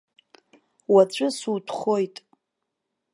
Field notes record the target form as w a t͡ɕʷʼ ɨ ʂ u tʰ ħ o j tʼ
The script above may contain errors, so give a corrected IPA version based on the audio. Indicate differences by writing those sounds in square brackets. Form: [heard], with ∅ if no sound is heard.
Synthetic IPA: w a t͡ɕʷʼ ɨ [s] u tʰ [χ] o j tʼ